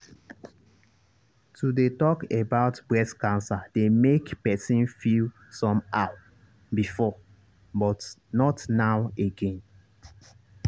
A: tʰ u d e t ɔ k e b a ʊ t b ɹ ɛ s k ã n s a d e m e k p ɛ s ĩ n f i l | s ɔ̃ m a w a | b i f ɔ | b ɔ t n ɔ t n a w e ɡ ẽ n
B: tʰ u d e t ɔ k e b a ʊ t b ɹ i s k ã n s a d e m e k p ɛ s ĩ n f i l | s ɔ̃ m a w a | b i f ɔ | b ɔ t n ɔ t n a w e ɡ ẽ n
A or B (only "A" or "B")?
A